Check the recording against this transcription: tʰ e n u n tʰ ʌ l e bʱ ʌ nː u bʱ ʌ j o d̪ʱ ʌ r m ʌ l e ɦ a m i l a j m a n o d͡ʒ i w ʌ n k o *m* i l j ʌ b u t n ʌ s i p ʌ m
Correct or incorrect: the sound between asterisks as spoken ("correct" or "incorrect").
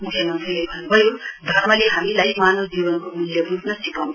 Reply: correct